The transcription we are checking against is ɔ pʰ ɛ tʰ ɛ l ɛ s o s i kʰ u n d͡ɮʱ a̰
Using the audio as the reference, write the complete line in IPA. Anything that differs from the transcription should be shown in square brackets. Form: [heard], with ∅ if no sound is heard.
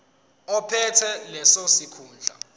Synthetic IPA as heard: ɔ pʰ ɛ tʰ ɛ l ɛ s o s i kʰ [uː] n d͡ɮʱ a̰

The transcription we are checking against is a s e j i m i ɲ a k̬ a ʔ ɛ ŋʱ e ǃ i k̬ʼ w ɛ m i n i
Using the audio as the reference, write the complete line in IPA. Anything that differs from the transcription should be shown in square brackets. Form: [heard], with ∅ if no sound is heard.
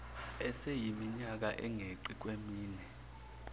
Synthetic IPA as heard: [ɛ] s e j i m i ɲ a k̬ a ʔ ɛ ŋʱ e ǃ i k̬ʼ w [e] m [iː] n [ɛ]

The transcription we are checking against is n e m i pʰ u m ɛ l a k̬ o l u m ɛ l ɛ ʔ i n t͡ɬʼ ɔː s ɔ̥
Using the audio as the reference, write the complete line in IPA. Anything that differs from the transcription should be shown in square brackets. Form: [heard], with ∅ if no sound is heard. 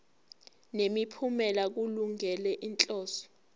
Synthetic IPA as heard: n e m i pʰ u m ɛ l a k̬ [u] l u [ŋ] ɛ l ɛ ʔ i n t͡ɬʼ ɔː s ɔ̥

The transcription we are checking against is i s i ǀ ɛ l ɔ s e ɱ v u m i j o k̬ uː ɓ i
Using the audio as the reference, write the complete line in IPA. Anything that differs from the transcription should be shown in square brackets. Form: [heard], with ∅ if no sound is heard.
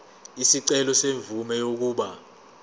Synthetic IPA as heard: i s i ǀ ɛ l ɔ s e ɱ v u m [ɛ] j o k̬ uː ɓ [a]

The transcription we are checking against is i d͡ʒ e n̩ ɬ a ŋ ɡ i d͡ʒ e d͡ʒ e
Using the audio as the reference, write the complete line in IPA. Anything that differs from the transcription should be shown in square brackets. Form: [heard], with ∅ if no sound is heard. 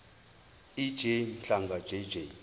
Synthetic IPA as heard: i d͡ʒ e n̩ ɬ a ŋ ɡ [a] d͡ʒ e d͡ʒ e

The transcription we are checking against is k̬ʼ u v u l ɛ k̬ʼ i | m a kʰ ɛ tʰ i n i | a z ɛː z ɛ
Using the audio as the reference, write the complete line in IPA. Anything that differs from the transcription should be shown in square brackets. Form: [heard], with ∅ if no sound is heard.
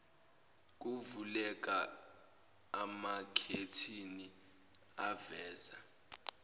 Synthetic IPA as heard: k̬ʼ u v u l ɛ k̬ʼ [a] | m a kʰ [e] tʰ i n i | a [v] ɛː z [a]

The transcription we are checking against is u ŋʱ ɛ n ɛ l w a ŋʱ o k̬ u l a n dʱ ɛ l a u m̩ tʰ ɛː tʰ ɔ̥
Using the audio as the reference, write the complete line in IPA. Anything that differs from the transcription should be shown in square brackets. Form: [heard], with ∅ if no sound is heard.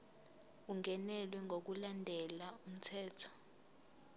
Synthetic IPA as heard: u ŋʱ ɛ n ɛ l w [ɛ] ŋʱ o k̬ u l a n dʱ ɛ l a u m̩ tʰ ɛː tʰ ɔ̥

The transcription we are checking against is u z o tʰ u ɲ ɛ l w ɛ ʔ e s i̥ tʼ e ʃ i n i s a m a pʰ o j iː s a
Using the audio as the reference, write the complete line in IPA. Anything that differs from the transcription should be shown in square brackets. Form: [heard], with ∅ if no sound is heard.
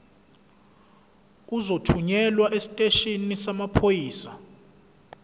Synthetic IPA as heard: u z o tʰ u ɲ ɛ l w [a] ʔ e s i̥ tʼ e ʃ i n i s a m a pʰ o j iː s a

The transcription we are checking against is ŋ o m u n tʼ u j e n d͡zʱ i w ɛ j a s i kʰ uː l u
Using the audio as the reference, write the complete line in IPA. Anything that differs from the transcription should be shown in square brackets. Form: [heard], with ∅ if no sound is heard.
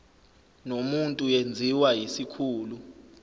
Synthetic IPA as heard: [n] o m u n tʼ u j e n d͡zʱ i w [a] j [i] s i kʰ uː l u

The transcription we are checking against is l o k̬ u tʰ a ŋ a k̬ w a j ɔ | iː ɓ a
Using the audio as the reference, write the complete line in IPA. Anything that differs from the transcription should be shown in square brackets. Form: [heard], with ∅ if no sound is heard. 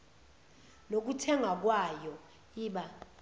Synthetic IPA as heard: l o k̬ u tʰ [ɛ] ŋ a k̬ w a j ɔ | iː ɓ a

